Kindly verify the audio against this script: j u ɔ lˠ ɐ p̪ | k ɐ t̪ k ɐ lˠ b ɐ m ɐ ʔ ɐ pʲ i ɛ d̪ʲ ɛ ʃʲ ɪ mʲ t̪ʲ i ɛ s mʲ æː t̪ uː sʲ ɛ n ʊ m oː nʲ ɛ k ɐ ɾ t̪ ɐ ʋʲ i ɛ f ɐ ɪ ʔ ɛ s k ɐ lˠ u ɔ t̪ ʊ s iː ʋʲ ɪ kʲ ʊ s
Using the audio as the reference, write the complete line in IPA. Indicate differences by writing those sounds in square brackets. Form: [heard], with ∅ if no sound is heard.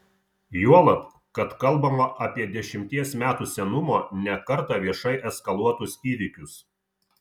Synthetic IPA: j u ɔ lˠ ɐ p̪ | k ɐ t̪ k ɐ lˠ b ɐ m ɐ ʔ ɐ pʲ i ɛ d̪ʲ ɛ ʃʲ ɪ mʲ t̪ʲ i ɛ s mʲ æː t̪ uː sʲ ɛ n ʊ m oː nʲ ɛ k ɐ ɾ t̪ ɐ ʋʲ i ɛ [ʃ] ɐ ɪ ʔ ɛ s k ɐ lˠ u ɔ t̪ ʊ s iː ʋʲ ɪ kʲ ʊ s